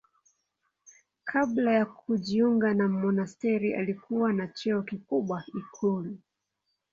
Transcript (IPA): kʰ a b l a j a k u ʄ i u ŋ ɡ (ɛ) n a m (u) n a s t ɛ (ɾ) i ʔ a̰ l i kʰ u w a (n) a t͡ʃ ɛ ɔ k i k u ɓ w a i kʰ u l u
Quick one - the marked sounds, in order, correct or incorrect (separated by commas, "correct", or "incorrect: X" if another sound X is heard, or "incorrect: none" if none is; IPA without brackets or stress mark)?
incorrect: a, incorrect: ɔ, correct, correct